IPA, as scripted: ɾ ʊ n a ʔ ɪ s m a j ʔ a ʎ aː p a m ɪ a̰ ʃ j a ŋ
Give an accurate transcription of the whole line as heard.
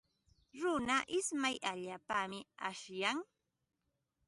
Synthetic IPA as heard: ɾ ʊ n a ʔ ɪ s m a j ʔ a ʎ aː p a m ɪ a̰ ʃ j a ŋ